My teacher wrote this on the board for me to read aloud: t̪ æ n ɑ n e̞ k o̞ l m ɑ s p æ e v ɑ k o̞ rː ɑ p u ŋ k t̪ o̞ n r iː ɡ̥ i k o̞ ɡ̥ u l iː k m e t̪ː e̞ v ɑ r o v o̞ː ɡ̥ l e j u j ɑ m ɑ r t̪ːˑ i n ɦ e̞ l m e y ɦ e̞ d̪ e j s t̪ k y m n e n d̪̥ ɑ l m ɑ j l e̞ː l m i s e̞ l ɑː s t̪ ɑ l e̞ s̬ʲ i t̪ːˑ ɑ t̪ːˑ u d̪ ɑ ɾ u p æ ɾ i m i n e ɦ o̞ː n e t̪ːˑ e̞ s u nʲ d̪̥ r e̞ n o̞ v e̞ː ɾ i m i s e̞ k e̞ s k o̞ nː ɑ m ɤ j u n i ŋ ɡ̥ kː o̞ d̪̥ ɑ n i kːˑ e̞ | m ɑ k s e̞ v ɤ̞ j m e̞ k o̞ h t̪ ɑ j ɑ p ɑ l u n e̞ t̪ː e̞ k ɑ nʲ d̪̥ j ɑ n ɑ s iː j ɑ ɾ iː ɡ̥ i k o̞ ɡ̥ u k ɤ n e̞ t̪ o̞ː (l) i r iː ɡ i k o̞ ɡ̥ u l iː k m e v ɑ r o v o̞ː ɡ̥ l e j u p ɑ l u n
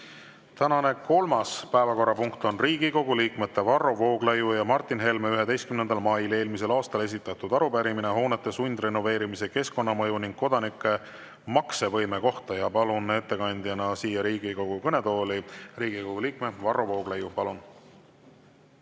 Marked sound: correct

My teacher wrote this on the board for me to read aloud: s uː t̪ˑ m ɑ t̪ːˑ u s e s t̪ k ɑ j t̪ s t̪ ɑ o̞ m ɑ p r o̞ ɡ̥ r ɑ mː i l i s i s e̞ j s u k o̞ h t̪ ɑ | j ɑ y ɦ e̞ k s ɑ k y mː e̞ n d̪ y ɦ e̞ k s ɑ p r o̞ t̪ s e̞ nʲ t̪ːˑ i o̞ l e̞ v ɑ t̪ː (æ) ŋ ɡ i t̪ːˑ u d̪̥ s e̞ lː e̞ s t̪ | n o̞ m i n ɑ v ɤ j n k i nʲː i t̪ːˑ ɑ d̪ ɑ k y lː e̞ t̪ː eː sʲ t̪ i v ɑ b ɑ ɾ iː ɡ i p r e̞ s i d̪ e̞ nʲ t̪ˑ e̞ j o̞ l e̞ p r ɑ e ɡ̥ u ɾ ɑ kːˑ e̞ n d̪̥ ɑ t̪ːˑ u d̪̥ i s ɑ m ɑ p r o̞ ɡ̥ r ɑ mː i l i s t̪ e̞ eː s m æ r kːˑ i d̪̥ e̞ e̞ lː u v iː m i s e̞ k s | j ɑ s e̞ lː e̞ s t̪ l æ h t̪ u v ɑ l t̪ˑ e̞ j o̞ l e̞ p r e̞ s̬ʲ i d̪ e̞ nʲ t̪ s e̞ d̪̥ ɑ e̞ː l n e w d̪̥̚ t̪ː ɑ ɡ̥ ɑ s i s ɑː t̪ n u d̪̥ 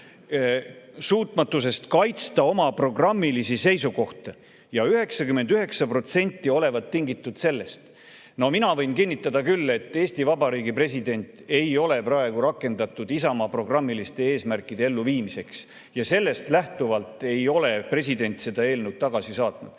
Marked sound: incorrect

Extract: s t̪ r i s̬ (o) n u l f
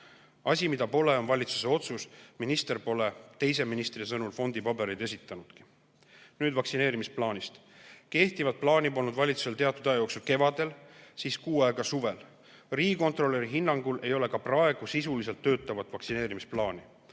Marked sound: incorrect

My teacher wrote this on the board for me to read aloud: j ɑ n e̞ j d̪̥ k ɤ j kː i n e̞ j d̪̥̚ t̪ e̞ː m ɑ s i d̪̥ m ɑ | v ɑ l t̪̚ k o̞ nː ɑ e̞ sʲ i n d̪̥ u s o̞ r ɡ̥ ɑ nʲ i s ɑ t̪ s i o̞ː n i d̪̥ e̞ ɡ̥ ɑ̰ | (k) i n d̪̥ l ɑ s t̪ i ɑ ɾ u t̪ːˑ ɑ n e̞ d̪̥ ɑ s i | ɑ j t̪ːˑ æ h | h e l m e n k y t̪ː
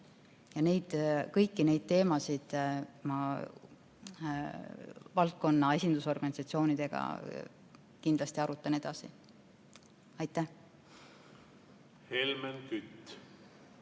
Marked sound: correct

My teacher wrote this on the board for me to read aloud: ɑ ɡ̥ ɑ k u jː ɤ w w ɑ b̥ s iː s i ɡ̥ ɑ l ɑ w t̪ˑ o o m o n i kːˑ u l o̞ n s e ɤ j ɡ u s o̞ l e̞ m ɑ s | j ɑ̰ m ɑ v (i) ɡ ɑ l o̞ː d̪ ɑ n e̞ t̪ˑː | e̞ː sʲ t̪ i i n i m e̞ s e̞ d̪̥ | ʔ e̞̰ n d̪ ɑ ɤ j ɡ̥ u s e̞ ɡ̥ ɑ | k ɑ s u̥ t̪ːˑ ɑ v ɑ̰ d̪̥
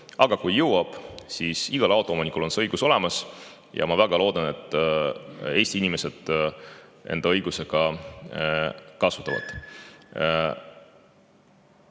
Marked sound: incorrect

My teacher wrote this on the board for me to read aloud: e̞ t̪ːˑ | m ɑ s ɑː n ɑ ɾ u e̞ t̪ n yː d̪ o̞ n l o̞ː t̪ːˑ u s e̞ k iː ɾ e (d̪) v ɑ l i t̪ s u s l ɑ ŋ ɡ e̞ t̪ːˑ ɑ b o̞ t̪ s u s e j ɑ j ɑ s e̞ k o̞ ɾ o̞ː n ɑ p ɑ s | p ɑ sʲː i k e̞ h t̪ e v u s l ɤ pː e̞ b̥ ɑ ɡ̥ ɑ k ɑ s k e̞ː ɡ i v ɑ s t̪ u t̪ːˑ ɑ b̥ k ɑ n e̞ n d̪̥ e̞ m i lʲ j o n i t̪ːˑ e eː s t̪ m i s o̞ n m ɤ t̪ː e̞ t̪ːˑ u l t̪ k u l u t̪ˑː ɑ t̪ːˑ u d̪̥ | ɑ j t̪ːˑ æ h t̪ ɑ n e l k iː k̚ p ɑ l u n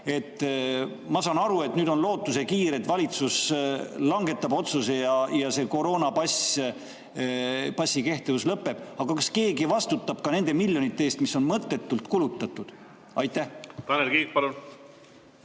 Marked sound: incorrect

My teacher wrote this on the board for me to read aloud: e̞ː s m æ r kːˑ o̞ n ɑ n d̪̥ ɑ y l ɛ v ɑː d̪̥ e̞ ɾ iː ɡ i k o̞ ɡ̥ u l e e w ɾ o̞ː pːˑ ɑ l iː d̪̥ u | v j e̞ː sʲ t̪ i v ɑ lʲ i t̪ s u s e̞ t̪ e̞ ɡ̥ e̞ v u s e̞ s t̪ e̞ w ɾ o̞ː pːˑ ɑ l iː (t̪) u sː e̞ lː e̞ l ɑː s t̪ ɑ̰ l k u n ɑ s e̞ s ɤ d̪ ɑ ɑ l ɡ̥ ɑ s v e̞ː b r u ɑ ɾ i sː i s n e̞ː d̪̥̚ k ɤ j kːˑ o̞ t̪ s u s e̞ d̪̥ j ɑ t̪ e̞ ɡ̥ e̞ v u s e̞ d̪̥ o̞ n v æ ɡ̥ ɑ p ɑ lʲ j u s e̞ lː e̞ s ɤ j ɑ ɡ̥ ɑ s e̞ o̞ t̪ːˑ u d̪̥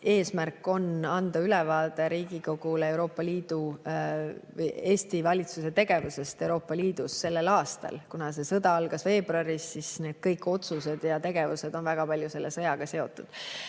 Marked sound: incorrect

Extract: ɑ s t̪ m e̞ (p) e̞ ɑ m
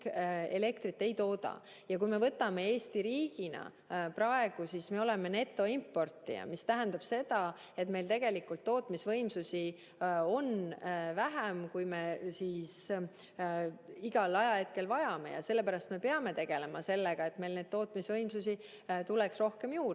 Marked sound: correct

